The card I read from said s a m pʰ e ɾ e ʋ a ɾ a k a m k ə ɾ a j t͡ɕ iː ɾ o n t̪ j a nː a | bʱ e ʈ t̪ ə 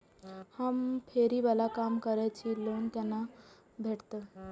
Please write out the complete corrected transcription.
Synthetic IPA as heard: h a m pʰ e ɾ i ʋ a l a k a m k ə ɾ a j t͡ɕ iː l o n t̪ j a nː a | bʱ e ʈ t̪ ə